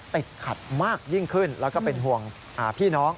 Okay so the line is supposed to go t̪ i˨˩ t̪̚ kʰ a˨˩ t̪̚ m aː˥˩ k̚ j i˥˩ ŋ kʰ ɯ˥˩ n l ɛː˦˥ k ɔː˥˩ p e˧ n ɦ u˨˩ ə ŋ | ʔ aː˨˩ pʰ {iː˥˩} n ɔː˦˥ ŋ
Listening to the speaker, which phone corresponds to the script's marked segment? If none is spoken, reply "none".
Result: iː˥˩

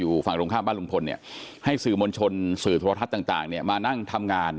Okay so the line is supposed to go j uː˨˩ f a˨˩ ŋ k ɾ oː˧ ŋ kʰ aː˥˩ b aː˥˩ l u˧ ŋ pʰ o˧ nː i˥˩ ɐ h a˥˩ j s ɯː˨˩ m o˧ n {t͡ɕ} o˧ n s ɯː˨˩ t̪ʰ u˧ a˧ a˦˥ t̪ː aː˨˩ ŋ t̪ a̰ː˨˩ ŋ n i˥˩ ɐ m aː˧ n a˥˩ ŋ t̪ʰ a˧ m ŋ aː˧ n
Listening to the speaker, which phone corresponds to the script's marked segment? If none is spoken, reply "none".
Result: t͡ɕʰ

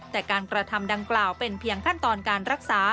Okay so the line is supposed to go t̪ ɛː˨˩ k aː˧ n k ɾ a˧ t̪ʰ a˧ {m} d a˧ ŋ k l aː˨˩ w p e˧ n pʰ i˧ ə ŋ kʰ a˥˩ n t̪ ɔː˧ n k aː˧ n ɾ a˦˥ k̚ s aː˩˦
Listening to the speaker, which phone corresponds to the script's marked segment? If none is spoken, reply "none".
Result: m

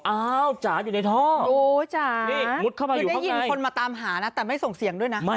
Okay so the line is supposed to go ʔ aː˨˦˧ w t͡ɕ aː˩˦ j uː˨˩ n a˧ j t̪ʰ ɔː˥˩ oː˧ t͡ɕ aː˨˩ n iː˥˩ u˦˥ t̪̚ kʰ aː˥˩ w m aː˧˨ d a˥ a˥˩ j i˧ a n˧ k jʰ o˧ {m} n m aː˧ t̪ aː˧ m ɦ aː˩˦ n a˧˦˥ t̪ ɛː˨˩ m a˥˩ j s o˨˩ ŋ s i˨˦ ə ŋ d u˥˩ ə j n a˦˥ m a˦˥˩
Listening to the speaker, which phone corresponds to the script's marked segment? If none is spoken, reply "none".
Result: none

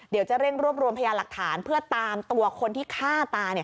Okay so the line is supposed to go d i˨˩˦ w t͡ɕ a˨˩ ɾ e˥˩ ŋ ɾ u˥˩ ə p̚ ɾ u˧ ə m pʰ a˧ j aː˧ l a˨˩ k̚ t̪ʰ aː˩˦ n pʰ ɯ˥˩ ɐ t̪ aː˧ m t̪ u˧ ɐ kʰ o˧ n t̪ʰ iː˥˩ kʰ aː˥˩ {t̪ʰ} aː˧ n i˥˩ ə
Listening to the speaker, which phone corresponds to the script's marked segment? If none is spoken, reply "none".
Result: t̪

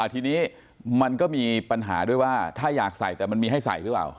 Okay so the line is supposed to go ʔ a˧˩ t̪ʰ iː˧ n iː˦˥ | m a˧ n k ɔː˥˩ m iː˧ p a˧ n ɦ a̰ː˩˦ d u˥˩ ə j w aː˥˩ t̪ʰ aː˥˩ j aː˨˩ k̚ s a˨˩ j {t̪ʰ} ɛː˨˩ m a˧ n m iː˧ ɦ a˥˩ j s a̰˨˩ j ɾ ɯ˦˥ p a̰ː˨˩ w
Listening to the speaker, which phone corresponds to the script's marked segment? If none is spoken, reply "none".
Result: t̪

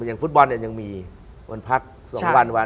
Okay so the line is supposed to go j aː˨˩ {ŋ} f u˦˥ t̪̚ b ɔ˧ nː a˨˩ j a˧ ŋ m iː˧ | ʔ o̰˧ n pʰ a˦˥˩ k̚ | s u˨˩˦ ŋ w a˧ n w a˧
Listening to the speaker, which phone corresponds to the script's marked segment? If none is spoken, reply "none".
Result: ŋ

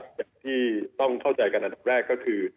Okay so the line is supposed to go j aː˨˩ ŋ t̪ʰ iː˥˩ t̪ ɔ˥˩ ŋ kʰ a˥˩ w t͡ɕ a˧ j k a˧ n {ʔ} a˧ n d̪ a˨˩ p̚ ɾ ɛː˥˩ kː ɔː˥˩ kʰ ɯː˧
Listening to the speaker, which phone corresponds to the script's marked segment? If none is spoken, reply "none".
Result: ʔ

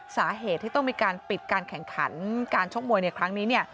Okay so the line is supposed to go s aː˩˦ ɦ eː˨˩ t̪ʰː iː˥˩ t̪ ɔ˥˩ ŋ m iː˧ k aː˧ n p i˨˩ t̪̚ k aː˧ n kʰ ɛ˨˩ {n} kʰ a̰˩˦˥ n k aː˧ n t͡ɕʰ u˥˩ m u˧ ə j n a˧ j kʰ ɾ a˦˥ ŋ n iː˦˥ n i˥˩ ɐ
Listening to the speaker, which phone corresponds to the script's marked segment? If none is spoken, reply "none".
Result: ŋ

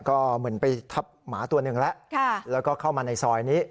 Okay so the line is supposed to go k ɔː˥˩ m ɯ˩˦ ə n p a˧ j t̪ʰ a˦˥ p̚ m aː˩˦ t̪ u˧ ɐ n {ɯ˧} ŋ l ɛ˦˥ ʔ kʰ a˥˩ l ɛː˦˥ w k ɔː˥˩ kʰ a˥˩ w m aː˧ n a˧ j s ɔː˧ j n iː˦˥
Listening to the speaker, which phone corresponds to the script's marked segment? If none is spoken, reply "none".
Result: ɯ˨˩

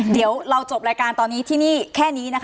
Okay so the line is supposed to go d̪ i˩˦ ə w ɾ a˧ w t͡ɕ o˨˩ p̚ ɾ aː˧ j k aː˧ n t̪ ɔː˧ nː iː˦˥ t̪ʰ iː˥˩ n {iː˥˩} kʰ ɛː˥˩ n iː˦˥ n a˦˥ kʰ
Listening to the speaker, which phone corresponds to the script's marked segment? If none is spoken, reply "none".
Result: iː˥˩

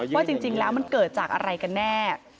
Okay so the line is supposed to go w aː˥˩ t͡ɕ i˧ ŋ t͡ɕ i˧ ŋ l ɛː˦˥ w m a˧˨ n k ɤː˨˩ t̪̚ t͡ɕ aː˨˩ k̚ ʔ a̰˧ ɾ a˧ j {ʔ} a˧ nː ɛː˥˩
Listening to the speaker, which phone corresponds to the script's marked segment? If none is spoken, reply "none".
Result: k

